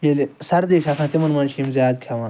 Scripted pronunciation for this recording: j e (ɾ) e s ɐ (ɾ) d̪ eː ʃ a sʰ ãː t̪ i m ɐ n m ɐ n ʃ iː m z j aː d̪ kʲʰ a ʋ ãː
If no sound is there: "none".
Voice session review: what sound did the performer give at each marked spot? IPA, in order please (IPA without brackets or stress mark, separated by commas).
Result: l, ɾ